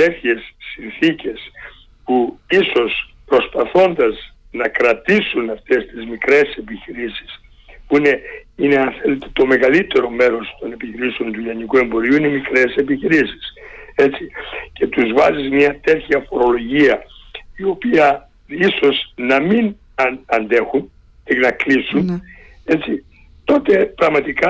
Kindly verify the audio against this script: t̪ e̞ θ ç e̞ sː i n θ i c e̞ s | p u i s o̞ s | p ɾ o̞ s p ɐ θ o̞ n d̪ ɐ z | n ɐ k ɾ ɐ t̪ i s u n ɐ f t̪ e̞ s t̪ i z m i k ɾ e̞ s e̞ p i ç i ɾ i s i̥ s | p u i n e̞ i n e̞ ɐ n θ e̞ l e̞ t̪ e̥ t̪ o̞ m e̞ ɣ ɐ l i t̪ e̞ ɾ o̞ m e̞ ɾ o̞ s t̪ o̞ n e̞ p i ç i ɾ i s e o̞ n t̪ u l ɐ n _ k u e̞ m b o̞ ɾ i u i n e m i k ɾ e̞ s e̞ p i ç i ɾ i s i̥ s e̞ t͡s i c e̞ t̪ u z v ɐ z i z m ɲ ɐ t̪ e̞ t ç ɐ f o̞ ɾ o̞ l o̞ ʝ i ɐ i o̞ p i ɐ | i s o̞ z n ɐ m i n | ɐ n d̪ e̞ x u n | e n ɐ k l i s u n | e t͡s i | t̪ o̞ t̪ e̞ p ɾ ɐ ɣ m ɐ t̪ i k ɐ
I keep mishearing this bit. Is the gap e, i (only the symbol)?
i